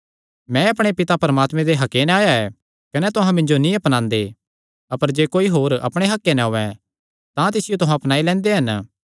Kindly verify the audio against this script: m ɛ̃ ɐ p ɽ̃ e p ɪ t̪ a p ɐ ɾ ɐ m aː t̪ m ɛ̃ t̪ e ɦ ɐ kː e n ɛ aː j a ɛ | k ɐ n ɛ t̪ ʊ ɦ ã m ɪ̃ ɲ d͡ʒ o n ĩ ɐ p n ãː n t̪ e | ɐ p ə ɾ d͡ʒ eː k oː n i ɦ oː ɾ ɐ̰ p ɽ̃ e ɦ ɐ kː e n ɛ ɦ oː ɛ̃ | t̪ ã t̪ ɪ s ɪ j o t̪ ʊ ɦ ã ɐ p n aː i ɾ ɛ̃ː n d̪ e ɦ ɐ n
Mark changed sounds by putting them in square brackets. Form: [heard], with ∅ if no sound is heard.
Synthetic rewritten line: m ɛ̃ ɐ p ɽ̃ e p ɪ t̪ a p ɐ ɾ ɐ m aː t̪ m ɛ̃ [d̪] e ɦ ɐ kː e n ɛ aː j a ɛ | k ɐ n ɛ t̪ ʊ ɦ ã m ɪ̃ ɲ d͡ʒ o n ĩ ɐ p n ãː n [d̪] e | ɐ p ə ɾ d͡ʒ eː k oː [∅] i ɦ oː ɾ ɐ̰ p ɽ̃ e ɦ ɐ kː e n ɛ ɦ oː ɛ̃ | t̪ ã t̪ ɪ s ɪ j o t̪ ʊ ɦ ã ɐ p n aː i [l] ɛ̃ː n d̪ e ɦ ɐ n

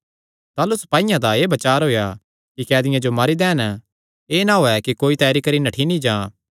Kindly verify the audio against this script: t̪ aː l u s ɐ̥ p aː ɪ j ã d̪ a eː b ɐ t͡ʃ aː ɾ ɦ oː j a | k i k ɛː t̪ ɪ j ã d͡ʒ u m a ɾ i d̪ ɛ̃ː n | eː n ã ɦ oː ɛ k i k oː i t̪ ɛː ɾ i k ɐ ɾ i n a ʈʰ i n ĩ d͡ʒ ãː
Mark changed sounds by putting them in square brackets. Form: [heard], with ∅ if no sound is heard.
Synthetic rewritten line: t̪ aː l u s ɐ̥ p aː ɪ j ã d̪ a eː b ɐ t͡ʃ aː ɾ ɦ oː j a | k i k ɛː [d̪] ɪ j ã d͡ʒ [o] m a ɾ i d̪ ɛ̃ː n | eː n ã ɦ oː ɛ k i k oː i t̪ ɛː ɾ i k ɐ ɾ i n [ɐ] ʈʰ i n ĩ d͡ʒ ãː

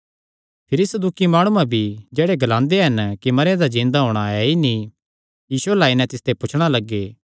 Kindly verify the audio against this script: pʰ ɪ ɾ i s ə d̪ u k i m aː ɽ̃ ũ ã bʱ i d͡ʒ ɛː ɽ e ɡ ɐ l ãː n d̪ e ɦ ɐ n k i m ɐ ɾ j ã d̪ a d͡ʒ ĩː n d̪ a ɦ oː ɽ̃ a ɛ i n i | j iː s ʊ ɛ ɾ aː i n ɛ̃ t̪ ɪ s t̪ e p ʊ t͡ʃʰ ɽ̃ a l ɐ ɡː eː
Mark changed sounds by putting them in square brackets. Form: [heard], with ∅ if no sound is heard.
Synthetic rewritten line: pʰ ɪ ɾ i s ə d̪ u k i m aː ɽ̃ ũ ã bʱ i d͡ʒ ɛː ɽ e ɡ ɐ l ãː n d̪ e ɦ ɐ n k i m ɐ ɾ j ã d̪ a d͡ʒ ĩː n d̪ a ɦ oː ɽ̃ a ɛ i n i | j iː s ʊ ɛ [l] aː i n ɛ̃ t̪ ɪ s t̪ e p ʊ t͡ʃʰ ɽ̃ a l ɐ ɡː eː

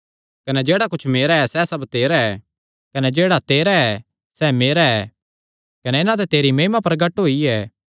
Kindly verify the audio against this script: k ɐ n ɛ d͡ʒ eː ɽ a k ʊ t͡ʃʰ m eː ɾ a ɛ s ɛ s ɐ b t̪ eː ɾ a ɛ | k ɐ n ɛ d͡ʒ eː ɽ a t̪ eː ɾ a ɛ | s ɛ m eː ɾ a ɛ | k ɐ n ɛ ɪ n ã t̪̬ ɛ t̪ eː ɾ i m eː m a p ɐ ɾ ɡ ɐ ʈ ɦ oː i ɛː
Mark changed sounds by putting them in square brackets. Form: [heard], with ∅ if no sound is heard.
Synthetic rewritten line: k ɐ n ɛ d͡ʒ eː ɽ a k ʊ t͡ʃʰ m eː ɾ a ɛ s ɛ s ɐ b t̪ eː ɾ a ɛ | k ɐ n ɛ d͡ʒ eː ɽ a t̪ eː ɾ a ɛ | s ɛ m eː ɾ a ɛ | k ɐ n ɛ ɪ n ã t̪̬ ɛ t̪ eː ɾ i m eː m a p ɐ ɾ ɡ ɐ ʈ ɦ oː i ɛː

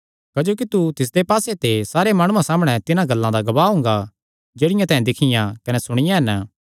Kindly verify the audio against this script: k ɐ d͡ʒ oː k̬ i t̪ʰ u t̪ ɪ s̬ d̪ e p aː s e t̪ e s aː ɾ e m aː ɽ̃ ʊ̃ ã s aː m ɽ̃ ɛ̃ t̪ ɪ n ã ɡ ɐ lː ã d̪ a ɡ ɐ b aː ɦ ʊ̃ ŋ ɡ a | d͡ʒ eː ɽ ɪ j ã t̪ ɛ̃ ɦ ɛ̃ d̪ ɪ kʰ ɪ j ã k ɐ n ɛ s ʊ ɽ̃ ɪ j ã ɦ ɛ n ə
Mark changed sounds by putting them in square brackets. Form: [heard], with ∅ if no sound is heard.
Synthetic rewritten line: k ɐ d͡ʒ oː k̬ i [t̪] u t̪ ɪ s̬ d̪ e p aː s e t̪ e s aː ɾ e m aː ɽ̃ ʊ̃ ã s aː m ɽ̃ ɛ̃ t̪ ɪ n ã ɡ ɐ lː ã d̪ a ɡ ɐ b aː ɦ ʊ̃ ŋ ɡ a | d͡ʒ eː ɽ ɪ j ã t̪ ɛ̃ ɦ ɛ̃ d̪ ɪ kʰ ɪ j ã k ɐ n ɛ s ʊ ɽ̃ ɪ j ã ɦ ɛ n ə

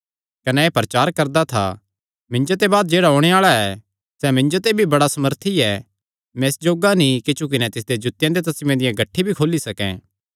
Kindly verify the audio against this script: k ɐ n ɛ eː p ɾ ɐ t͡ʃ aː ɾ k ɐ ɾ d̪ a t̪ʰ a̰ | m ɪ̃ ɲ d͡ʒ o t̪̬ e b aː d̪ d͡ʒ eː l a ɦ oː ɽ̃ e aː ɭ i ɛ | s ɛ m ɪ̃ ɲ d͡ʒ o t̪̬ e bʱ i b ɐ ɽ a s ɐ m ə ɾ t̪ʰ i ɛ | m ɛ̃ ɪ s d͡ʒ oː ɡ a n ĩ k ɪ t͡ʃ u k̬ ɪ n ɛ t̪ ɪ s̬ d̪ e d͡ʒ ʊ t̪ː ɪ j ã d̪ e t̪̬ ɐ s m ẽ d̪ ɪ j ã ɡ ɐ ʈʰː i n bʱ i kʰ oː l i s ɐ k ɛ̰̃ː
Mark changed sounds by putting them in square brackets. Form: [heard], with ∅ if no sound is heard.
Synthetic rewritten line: k ɐ n ɛ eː p ɾ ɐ t͡ʃ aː ɾ k ɐ ɾ d̪ a t̪ʰ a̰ | m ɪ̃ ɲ d͡ʒ o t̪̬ e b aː d̪ d͡ʒ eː [ɽ] a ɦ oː ɽ̃ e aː ɭ [a] ɛ | s ɛ m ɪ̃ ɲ d͡ʒ o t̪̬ e bʱ i b ɐ ɽ a s ɐ m ə ɾ t̪ʰ i ɛ | m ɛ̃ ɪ s d͡ʒ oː ɡ a n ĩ k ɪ t͡ʃ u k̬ ɪ n ɛ t̪ ɪ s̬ d̪ e d͡ʒ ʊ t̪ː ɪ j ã d̪ e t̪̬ ɐ s m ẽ d̪ ɪ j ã ɡ ɐ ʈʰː i [∅] bʱ i kʰ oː l i s ɐ k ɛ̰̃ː

